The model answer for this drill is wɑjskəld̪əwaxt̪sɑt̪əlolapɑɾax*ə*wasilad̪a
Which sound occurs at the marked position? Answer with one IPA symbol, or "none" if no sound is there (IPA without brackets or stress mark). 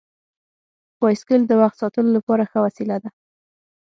ə